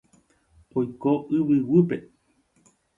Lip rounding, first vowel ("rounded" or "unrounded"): rounded